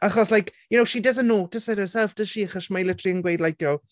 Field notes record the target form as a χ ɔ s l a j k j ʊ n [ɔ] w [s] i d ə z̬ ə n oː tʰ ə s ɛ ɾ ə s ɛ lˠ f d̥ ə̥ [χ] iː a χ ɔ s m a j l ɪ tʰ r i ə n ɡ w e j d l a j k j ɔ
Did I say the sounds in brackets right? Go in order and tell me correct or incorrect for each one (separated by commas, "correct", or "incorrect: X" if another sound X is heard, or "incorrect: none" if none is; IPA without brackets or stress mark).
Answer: incorrect: o, incorrect: ʃ, incorrect: ʃ